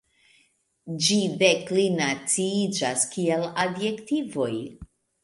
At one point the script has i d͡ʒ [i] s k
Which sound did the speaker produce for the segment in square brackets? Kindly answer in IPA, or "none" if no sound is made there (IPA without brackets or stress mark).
a